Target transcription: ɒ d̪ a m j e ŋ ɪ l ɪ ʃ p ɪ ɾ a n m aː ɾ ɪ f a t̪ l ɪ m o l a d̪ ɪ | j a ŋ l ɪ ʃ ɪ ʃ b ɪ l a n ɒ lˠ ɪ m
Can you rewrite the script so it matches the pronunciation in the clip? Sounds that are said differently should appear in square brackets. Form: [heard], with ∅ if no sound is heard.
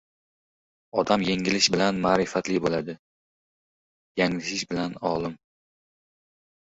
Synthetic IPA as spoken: ɒ d̪ a m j e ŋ ɪ l ɪ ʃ [b] ɪ [l] a n m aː ɾ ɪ f a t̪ l ɪ [b] o l a d̪ ɪ | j a ŋ l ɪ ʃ ɪ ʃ b ɪ l a n ɒ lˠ ɪ m